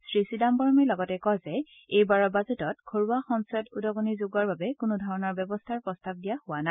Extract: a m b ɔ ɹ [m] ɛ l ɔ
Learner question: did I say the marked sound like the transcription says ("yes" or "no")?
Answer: yes